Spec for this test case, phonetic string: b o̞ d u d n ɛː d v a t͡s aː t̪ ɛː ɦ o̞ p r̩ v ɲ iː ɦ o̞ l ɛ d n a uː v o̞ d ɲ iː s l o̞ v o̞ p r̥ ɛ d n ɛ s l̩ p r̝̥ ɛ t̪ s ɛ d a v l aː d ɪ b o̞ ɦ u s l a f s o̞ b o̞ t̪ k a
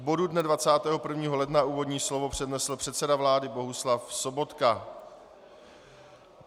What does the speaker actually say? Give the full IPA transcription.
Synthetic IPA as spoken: b o̞ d u d n ɛ d v a t͡s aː t̪ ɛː ɦ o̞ p r̩ v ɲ iː ɦ o̞ l ɛ d n a uː v o̞ d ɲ iː s l o̞ v o̞ p r̥ ɛ d n ɛ s l̩ p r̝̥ ɛ t̪ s ɛ d a v l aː d ɪ b o̞ ɦ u s l a f s o̞ b o̞ t̪ k a